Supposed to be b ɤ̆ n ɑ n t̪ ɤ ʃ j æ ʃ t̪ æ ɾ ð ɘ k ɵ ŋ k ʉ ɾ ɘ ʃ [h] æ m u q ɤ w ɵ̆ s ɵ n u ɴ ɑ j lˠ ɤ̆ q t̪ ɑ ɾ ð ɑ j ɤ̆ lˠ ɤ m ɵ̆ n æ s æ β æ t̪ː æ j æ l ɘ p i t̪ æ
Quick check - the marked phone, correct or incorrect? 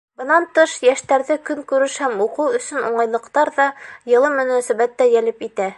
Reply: correct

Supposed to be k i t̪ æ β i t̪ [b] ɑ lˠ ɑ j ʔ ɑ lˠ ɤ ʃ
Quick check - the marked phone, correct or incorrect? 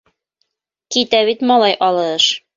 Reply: incorrect: m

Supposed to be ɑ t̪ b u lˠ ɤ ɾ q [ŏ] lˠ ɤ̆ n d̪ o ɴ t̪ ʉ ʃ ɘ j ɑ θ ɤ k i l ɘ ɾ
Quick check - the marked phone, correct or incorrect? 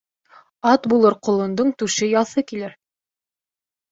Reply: correct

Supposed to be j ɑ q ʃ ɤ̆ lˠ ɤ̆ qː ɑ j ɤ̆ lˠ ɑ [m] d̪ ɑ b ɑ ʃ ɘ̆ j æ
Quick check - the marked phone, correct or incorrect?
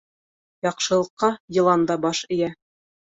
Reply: incorrect: n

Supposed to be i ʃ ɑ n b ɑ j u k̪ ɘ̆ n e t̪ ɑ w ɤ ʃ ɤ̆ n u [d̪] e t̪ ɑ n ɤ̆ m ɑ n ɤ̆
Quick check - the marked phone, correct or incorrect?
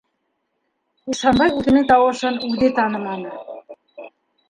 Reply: correct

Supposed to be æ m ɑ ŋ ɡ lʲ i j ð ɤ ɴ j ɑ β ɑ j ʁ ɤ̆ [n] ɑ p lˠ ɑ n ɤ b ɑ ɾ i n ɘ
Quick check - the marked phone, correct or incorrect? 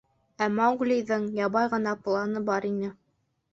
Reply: correct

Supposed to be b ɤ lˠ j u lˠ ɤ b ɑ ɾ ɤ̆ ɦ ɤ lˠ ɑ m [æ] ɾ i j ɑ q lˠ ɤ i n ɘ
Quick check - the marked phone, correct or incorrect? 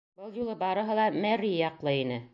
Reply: correct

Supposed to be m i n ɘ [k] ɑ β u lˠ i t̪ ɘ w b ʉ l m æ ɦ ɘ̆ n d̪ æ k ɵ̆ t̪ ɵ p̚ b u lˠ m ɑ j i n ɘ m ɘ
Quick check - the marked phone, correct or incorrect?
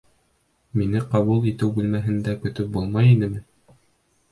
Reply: incorrect: q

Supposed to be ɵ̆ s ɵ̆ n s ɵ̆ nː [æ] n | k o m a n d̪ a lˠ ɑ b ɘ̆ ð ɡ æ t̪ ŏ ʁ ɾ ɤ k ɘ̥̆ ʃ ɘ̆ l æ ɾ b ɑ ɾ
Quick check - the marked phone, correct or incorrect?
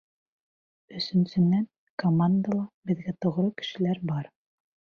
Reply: correct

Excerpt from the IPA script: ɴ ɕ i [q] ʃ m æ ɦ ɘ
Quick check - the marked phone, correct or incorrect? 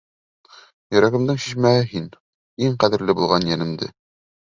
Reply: incorrect: none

